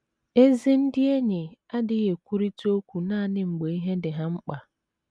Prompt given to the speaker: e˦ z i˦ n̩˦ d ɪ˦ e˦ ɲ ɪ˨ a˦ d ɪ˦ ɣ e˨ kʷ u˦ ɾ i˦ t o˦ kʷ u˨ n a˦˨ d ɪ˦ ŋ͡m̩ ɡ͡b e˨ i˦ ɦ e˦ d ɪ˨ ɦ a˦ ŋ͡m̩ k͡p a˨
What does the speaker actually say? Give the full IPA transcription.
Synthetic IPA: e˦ z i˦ n̩˦ d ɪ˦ e˦ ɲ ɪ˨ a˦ d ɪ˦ ɣ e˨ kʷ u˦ ɾ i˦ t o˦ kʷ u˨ n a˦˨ n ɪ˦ ŋ͡m̩ ɡ͡b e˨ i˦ ɦ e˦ d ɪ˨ ɦ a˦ ŋ͡m̩ k͡p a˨